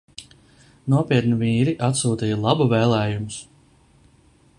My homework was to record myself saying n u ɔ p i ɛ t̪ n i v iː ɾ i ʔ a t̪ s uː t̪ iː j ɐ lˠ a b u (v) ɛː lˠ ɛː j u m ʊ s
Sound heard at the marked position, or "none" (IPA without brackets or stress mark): v